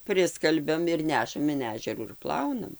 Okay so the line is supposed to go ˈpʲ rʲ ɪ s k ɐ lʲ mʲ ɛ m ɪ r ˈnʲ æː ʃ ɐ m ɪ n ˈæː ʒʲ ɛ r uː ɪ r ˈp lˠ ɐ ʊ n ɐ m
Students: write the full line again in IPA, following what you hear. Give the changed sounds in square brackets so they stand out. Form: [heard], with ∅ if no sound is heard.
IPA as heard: ˈpʲ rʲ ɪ s k ɐ lʲ [bʲ] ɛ m ɪ r ˈnʲ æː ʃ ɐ m ɪ n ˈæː ʒʲ ɛ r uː ɪ r ˈp lˠ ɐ ʊ n ɐ m